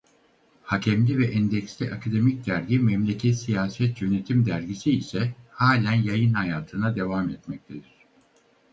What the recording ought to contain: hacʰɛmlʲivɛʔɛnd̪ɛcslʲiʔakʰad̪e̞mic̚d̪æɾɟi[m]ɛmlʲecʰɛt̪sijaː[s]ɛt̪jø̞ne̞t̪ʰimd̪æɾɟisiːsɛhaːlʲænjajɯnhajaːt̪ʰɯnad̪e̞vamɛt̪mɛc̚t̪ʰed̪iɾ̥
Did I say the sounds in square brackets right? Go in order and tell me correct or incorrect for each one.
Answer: correct, correct

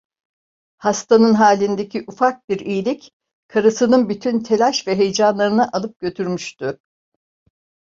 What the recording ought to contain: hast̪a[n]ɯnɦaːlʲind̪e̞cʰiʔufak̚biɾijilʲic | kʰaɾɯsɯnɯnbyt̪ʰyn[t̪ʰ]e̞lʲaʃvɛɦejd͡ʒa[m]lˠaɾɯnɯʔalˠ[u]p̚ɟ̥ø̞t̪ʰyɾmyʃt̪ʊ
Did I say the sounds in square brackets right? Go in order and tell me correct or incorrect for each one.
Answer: correct, correct, incorrect, incorrect

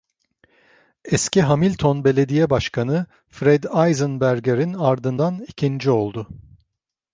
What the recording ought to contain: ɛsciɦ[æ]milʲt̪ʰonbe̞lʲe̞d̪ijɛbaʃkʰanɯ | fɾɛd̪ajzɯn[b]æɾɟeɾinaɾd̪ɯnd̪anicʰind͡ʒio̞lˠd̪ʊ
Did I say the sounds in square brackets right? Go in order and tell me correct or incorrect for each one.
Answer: incorrect, correct

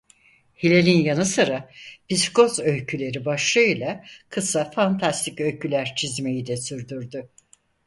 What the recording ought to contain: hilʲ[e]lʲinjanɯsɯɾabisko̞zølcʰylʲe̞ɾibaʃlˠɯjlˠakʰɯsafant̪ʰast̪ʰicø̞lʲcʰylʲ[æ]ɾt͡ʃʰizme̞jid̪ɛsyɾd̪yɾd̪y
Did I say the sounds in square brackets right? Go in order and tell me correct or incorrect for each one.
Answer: correct, correct

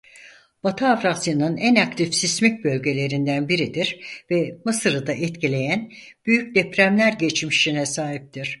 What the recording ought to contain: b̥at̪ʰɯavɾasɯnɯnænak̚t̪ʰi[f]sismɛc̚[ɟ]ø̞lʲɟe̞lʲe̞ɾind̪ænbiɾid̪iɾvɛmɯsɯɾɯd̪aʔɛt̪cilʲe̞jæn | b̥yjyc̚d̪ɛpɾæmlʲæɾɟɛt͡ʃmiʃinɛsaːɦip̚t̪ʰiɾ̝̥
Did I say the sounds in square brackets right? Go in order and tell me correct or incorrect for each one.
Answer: correct, incorrect

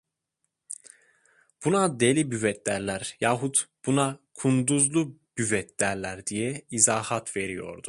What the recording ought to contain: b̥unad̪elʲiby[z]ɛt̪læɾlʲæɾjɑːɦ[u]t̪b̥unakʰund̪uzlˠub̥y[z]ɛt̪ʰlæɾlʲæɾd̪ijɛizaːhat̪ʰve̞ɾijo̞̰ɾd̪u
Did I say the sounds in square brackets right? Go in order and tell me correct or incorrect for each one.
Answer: incorrect, correct, incorrect

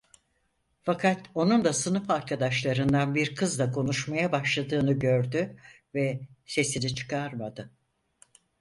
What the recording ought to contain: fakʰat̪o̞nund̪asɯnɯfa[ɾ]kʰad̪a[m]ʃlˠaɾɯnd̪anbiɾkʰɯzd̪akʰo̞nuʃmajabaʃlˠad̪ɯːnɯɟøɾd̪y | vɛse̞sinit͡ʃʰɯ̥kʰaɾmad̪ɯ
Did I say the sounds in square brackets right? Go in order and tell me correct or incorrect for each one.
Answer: correct, incorrect

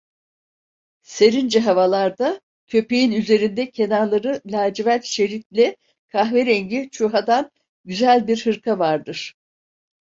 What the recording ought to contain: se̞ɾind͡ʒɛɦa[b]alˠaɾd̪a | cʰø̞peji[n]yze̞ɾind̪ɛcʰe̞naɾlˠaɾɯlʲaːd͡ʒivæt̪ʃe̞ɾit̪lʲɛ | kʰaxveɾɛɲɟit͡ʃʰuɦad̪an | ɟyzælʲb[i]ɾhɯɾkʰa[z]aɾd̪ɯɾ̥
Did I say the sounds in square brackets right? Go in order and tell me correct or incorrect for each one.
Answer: incorrect, correct, correct, incorrect

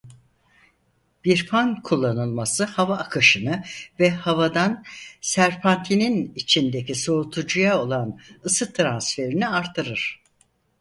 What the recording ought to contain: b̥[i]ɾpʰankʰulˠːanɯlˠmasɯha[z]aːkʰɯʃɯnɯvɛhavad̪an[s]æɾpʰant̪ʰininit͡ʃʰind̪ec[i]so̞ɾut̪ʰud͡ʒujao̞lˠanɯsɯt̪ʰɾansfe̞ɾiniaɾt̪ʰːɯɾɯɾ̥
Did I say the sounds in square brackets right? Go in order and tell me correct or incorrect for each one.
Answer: correct, incorrect, correct, correct

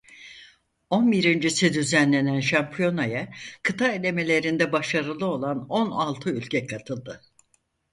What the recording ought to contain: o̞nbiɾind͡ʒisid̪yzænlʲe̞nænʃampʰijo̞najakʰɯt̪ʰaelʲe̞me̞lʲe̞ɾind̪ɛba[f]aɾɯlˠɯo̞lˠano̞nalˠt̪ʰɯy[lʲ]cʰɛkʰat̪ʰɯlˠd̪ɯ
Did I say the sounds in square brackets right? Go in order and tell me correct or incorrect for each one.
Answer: incorrect, correct

